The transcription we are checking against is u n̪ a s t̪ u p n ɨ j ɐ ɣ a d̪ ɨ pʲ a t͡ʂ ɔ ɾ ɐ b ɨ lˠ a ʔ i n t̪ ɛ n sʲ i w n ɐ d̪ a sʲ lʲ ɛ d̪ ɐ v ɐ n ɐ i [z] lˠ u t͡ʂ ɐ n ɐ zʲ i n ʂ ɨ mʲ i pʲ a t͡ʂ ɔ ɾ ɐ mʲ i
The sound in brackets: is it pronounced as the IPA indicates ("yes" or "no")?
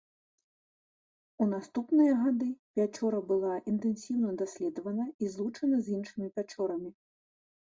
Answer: yes